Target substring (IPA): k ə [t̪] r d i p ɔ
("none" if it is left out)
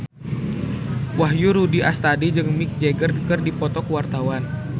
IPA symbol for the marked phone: none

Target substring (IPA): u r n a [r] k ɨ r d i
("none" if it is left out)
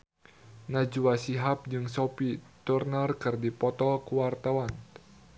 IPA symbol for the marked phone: r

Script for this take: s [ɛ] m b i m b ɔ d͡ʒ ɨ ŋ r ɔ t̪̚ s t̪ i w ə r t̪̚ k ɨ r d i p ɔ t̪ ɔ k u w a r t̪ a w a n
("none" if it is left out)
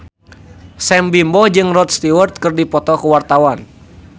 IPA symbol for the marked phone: ɛ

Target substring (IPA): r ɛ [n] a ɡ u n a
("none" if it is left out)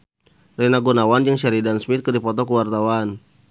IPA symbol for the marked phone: n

